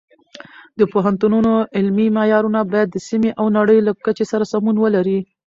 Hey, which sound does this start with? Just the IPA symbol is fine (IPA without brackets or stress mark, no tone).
d̪